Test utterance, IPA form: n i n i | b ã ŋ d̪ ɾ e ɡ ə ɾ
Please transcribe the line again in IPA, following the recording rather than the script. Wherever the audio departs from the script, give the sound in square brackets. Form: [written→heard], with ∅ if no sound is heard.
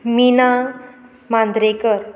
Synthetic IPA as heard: [n→m] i n [i→a] | [b→m] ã [ŋ→n] d̪ ɾ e [ɡ→k] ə ɾ